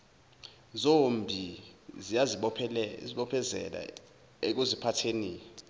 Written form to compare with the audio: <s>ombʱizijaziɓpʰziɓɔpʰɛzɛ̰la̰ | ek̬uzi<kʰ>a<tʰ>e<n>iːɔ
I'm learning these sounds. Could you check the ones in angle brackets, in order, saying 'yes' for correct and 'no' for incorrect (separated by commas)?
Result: no, no, yes, yes